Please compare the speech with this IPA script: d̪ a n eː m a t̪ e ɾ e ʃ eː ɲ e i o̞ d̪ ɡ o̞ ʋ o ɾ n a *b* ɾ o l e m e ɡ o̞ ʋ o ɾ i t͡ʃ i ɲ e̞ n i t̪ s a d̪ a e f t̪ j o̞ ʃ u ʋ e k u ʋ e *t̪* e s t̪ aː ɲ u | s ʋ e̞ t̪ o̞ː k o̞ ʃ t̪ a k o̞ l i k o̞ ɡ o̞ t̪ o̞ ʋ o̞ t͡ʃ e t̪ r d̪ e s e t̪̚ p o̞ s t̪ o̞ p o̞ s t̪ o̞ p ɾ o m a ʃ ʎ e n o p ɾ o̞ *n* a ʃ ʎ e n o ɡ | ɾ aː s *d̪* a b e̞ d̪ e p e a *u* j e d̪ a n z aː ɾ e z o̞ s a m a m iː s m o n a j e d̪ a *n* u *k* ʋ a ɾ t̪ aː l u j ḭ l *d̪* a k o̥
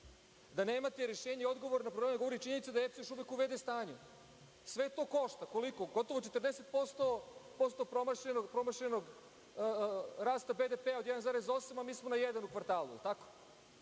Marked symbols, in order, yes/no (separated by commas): no, no, no, no, no, yes, yes, no